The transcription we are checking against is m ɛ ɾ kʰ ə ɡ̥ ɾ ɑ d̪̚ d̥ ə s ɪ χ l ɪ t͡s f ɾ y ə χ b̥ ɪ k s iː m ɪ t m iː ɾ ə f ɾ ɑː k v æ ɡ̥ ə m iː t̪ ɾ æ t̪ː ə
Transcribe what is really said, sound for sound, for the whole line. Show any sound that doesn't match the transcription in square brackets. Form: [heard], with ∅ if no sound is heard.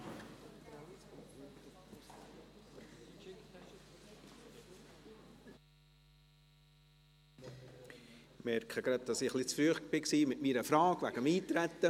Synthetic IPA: m ɛ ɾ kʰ ə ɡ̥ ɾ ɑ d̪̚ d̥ [ɑ] s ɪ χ l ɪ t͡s f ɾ y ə χ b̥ ɪ k s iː m ɪ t m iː ɾ ə f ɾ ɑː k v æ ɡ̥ ə m iː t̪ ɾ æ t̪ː ə